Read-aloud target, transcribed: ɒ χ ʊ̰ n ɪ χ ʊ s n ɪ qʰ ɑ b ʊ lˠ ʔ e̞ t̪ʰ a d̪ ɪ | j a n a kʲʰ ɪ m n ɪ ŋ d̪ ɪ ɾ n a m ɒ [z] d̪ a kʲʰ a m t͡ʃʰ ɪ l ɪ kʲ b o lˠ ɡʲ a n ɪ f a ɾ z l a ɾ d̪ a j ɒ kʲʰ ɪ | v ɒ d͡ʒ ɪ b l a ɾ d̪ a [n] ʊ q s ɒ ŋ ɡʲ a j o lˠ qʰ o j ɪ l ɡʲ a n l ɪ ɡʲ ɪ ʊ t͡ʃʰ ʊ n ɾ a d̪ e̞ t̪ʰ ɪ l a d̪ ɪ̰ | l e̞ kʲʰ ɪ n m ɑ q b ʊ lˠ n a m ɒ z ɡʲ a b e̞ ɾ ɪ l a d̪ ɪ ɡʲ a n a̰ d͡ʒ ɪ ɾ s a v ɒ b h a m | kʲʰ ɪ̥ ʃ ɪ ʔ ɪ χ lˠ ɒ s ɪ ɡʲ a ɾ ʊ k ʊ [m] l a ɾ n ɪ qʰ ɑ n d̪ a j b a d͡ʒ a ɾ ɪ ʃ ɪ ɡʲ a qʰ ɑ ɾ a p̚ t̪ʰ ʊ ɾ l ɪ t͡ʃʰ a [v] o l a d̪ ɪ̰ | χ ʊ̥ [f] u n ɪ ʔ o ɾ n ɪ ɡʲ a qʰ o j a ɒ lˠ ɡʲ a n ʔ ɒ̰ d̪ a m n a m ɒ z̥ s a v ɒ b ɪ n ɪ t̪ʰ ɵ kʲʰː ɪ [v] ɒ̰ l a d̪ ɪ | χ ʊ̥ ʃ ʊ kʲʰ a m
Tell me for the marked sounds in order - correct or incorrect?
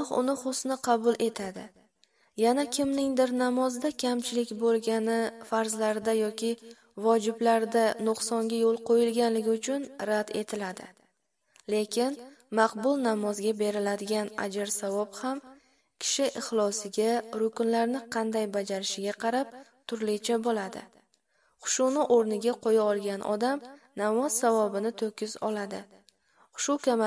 correct, correct, incorrect, incorrect, incorrect, incorrect

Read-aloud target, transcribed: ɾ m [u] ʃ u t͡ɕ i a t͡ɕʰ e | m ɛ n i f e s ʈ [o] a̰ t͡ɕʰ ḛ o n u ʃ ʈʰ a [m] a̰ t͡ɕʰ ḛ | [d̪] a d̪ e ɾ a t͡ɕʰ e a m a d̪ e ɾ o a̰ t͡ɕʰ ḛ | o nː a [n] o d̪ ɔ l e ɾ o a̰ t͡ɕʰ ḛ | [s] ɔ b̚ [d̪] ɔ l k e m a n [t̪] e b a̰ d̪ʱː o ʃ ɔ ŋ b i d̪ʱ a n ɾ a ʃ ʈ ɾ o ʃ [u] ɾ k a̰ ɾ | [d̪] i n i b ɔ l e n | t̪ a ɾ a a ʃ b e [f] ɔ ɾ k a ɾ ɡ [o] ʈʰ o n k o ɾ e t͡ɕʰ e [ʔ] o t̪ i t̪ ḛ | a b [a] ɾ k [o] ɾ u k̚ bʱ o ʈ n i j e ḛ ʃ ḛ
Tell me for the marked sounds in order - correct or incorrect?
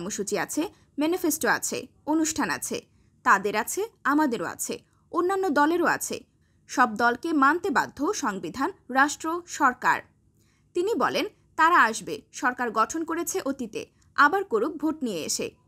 incorrect, correct, incorrect, incorrect, incorrect, incorrect, correct, correct, incorrect, incorrect, incorrect, incorrect, correct, correct, correct

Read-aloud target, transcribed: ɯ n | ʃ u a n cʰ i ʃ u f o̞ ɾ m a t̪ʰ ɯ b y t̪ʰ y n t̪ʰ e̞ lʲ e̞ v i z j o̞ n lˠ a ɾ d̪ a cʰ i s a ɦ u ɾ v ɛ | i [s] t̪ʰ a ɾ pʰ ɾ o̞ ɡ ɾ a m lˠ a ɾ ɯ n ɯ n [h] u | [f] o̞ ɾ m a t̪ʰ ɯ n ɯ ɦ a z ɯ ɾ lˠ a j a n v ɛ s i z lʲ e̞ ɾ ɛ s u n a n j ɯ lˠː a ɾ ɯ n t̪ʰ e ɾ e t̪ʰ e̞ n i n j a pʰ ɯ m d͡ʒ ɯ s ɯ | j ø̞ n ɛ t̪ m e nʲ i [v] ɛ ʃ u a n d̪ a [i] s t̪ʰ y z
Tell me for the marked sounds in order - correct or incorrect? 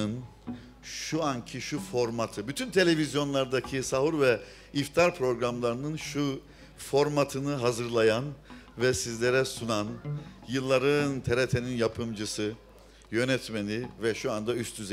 incorrect, incorrect, correct, correct, incorrect

